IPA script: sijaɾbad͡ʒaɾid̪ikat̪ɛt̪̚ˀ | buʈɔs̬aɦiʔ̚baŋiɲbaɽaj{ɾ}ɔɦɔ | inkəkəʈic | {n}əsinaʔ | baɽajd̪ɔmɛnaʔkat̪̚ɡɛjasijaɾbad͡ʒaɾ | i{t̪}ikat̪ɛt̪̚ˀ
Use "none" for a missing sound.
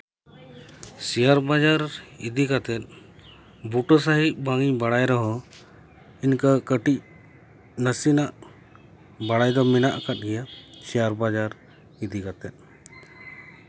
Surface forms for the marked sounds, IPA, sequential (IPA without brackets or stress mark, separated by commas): ɾ, n, d̪